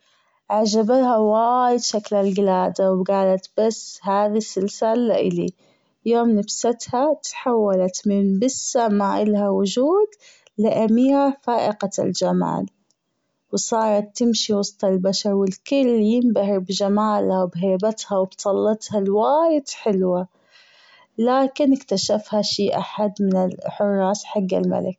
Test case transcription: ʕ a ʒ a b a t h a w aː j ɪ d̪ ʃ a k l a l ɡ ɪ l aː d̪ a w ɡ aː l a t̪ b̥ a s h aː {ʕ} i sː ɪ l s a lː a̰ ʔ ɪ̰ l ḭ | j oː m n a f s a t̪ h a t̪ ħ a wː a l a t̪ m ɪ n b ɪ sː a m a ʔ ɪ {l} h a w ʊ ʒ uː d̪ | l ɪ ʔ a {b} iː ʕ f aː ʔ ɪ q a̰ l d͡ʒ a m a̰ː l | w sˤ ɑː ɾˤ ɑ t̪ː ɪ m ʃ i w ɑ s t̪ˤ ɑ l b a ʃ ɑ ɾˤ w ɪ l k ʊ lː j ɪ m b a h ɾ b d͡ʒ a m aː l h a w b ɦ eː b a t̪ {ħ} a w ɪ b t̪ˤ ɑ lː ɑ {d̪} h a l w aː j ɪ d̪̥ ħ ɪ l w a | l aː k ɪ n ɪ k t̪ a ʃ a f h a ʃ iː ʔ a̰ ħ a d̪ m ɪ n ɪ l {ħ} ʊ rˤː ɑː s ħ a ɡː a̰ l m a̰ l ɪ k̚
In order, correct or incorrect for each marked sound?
incorrect: ð, correct, incorrect: m, incorrect: h, incorrect: t̪, correct

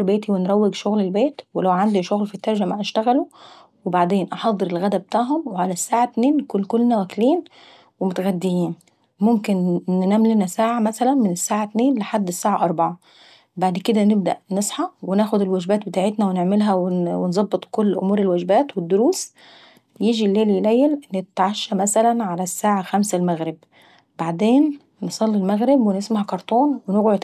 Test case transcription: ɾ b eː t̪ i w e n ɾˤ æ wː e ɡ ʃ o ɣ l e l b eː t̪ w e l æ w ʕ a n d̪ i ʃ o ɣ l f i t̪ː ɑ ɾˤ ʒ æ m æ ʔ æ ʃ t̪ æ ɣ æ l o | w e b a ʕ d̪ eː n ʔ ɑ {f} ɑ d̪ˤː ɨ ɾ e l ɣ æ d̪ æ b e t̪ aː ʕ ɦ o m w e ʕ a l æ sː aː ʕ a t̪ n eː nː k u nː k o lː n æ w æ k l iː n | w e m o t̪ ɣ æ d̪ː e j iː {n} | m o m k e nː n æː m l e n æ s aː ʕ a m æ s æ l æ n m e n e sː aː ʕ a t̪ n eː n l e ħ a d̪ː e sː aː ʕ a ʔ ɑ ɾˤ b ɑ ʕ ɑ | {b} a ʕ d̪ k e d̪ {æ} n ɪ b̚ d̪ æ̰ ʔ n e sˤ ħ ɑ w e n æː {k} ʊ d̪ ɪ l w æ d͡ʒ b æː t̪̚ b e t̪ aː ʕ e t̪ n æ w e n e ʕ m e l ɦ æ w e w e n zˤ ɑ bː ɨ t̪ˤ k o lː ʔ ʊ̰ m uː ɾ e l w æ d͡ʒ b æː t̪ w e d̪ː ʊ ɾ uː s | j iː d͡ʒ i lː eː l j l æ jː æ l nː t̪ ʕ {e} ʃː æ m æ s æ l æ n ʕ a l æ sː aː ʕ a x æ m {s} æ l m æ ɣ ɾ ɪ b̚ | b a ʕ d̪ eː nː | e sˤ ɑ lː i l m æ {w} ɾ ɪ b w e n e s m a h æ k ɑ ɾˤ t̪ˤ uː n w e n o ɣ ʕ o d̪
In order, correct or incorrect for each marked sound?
incorrect: ħ, correct, correct, correct, incorrect: x, incorrect: a, correct, incorrect: ɣ

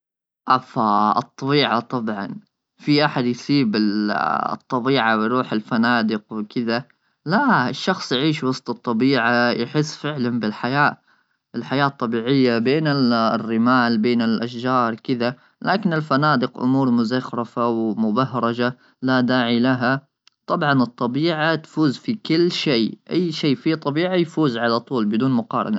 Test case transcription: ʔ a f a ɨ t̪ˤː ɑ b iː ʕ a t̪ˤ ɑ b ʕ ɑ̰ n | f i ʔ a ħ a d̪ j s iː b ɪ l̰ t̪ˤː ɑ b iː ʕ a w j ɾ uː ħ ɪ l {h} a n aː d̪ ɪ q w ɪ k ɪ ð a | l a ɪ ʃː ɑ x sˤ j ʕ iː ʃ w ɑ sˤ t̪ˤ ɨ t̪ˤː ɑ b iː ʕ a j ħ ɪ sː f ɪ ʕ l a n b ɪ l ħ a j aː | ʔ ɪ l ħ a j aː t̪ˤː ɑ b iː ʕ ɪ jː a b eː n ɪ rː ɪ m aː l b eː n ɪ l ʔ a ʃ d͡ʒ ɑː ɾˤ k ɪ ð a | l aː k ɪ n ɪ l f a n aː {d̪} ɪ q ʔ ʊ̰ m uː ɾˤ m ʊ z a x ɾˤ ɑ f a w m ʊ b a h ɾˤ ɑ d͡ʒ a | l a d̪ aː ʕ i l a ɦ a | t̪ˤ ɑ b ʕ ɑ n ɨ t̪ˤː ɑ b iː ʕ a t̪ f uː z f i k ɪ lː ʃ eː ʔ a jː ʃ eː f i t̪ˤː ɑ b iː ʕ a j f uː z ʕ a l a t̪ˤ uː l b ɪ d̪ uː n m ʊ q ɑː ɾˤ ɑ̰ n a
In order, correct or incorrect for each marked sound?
incorrect: f, correct

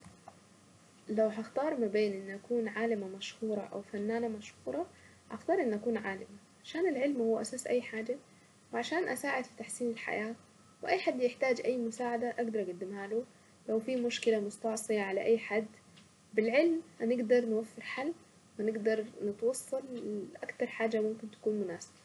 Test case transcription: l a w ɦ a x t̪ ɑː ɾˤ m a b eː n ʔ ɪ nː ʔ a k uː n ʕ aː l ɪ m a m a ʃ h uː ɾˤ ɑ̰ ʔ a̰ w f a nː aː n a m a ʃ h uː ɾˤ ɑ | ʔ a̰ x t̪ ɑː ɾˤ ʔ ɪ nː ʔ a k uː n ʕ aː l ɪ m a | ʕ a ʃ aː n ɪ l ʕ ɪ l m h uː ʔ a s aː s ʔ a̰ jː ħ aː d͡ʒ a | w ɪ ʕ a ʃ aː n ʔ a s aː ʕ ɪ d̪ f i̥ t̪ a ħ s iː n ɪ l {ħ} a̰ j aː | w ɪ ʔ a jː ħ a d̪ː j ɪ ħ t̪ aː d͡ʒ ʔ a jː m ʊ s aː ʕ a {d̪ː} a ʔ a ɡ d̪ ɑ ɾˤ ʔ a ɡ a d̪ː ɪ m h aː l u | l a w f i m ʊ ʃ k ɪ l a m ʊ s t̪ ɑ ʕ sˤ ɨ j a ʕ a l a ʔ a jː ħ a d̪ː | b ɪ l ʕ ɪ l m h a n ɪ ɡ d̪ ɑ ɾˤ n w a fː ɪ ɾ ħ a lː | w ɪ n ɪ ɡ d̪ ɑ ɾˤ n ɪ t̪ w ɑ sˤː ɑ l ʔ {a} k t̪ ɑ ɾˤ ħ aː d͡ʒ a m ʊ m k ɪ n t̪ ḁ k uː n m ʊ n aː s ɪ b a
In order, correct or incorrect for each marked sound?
correct, incorrect: d̪, correct

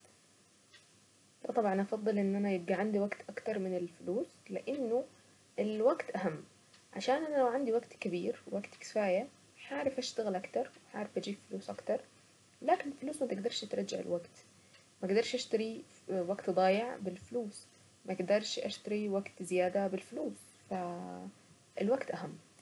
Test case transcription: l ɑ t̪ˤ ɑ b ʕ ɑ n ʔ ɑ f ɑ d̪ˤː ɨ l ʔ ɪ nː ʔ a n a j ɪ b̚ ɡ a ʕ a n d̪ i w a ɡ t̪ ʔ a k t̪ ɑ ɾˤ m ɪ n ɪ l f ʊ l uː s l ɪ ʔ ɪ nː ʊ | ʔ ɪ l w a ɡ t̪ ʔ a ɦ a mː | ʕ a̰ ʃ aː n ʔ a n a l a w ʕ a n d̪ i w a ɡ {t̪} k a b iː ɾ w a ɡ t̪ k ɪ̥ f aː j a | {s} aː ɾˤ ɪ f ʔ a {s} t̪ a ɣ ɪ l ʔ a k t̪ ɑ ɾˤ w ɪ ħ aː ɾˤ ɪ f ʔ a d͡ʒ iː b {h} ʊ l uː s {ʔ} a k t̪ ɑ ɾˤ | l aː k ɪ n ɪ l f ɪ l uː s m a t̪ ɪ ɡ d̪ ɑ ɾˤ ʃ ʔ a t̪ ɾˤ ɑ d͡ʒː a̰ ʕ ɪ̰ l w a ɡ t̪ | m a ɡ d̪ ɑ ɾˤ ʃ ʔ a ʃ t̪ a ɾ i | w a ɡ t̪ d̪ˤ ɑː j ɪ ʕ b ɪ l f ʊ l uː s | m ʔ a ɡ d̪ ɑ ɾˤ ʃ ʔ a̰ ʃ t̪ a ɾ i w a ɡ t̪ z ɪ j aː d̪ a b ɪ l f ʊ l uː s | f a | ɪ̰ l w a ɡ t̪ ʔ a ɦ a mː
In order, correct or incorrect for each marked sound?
correct, incorrect: ħ, incorrect: ʃ, incorrect: f, correct

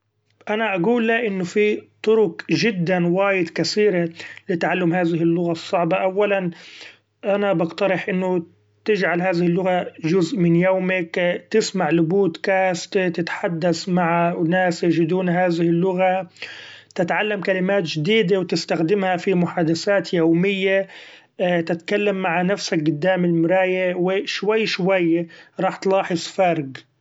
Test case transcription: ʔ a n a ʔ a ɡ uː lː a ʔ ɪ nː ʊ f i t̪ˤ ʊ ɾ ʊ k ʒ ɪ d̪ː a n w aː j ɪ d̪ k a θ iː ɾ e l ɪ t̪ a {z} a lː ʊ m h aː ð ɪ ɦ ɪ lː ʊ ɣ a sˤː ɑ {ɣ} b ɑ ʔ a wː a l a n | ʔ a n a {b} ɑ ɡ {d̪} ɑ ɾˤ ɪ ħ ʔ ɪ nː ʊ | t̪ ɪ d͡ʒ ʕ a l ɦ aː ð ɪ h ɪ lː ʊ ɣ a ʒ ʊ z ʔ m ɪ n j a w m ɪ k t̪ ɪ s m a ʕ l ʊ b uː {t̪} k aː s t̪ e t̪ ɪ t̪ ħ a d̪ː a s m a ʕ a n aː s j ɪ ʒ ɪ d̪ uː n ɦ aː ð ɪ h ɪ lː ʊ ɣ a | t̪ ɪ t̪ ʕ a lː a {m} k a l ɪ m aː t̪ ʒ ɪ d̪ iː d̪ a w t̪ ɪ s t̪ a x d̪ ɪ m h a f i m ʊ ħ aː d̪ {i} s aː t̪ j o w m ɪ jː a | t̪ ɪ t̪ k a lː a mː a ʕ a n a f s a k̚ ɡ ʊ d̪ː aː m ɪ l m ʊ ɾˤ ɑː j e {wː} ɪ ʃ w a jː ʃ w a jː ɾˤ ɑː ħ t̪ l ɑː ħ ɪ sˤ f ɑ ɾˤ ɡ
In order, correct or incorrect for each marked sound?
incorrect: ʕ, incorrect: ʕ, correct, incorrect: t̪, correct, correct, incorrect: a, incorrect: w

